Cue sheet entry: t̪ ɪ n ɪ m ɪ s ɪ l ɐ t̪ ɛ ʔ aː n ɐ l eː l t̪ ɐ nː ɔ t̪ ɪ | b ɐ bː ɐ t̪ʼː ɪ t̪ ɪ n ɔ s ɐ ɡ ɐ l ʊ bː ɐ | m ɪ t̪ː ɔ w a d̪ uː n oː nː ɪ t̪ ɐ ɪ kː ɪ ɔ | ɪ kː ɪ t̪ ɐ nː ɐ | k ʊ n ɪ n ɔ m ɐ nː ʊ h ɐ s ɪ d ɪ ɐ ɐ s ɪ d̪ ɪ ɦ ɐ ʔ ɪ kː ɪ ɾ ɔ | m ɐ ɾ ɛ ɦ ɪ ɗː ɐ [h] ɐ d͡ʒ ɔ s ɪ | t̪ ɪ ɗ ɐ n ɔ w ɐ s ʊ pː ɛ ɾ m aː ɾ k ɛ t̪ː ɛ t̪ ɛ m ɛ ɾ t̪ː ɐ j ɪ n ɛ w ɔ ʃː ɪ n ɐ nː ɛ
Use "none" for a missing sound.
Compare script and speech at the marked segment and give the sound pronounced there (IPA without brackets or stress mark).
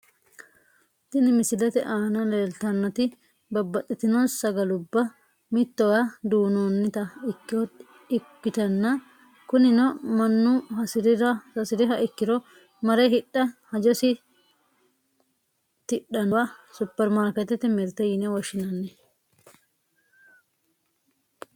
h